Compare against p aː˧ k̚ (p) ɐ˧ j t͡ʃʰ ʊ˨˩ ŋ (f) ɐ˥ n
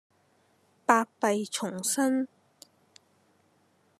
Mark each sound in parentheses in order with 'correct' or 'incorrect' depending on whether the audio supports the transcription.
correct, incorrect: s

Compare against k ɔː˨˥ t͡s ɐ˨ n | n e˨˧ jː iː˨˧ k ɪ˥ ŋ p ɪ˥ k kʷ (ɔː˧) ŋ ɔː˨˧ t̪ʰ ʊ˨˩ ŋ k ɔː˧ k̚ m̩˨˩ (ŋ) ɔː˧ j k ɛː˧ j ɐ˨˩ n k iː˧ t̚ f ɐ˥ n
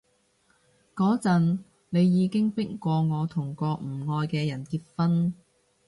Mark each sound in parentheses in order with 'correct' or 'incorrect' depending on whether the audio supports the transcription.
correct, correct

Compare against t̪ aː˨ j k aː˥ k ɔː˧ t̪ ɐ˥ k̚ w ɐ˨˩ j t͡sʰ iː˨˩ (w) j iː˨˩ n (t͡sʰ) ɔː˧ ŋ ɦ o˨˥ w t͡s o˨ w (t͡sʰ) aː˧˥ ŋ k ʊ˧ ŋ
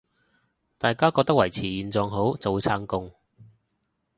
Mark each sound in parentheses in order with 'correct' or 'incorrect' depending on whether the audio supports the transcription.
incorrect: none, incorrect: t͡s, correct

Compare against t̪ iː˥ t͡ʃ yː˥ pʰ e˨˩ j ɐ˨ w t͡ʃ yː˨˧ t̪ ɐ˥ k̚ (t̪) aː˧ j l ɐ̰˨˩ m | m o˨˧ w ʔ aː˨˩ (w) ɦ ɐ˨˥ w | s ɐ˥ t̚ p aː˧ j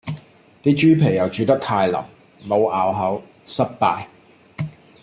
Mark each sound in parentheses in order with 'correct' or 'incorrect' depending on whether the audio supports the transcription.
incorrect: t̪ʰ, correct

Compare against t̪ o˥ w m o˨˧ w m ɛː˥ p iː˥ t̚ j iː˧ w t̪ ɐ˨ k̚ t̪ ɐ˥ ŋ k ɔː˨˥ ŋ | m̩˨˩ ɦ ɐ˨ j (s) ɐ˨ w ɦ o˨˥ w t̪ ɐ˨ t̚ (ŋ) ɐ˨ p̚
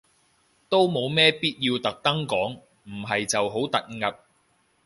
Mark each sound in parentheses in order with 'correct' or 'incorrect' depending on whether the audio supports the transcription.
incorrect: t͡s, correct

